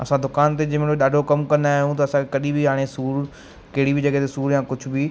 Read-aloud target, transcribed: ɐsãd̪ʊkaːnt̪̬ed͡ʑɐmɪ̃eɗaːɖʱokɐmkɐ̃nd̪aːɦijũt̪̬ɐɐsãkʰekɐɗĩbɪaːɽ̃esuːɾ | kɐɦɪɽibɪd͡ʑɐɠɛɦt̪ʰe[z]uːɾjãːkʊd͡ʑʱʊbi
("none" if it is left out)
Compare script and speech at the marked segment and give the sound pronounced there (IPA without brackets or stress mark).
s